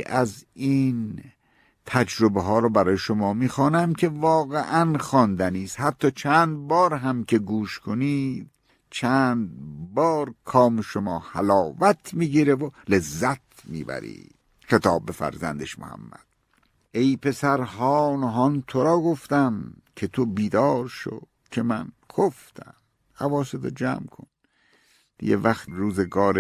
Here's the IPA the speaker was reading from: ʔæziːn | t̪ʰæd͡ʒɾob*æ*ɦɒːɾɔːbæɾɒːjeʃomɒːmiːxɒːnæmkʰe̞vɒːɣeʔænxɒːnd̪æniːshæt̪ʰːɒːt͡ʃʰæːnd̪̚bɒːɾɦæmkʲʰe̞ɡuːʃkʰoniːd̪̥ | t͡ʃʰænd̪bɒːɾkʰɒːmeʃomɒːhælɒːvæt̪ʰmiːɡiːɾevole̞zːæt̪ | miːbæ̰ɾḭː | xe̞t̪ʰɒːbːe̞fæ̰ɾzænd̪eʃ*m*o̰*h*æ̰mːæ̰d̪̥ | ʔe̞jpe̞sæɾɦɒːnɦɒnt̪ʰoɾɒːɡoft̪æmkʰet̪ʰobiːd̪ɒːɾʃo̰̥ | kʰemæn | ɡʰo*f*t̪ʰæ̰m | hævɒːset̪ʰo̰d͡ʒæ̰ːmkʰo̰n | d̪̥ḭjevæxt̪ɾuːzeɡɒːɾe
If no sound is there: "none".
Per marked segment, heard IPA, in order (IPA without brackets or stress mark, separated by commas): e, m, h, f